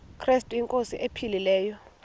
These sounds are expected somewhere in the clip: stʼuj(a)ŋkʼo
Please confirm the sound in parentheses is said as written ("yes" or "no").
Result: no